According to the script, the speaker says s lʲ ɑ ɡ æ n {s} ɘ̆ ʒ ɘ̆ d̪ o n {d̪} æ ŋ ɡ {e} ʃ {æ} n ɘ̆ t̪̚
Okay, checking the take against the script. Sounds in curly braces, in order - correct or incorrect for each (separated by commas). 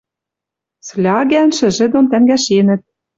incorrect, incorrect, incorrect, incorrect